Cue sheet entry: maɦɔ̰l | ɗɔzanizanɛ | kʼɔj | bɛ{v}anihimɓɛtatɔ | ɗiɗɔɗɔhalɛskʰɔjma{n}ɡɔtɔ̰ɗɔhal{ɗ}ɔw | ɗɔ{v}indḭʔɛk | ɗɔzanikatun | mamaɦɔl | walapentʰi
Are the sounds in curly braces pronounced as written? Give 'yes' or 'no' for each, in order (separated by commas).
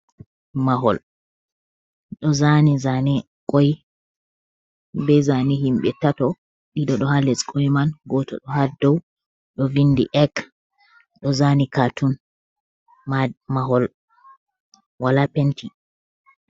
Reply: no, yes, no, yes